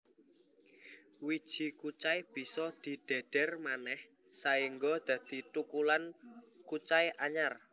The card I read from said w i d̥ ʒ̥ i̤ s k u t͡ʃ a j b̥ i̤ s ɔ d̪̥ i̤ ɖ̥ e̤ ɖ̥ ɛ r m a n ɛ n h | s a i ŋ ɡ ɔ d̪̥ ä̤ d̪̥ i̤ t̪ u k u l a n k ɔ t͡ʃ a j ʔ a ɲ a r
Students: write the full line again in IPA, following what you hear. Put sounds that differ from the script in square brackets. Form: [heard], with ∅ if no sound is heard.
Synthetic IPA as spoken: w i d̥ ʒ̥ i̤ [∅] k u t͡ʃ a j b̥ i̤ s ɔ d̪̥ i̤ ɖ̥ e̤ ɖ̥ ɛ r m a n ɛ [∅] h | s a i ŋ ɡ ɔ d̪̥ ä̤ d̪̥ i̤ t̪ u k u l a n k [u] t͡ʃ a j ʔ a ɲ a r